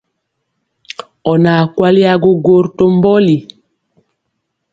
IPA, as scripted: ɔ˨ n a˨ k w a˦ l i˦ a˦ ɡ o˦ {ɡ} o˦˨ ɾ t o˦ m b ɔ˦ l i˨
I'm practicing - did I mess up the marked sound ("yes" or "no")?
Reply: no